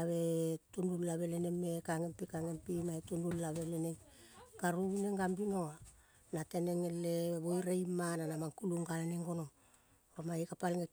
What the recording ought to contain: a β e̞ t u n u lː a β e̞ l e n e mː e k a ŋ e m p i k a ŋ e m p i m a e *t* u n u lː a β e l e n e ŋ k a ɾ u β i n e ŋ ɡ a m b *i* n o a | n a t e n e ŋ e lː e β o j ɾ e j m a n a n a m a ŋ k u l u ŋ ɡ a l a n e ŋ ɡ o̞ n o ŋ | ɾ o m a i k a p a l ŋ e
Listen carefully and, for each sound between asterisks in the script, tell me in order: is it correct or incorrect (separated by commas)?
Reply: correct, correct